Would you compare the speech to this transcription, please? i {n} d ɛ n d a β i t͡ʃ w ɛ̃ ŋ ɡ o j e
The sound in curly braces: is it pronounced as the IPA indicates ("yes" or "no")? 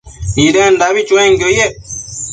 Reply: no